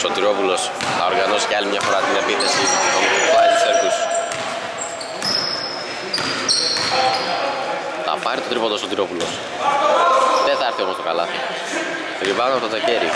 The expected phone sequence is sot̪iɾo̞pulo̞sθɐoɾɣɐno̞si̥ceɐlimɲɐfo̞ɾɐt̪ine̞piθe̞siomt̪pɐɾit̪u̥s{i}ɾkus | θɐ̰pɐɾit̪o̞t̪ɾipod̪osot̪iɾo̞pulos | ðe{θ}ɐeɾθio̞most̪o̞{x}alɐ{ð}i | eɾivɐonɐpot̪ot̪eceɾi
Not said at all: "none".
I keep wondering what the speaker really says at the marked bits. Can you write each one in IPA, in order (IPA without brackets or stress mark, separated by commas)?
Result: e, θ, k, θ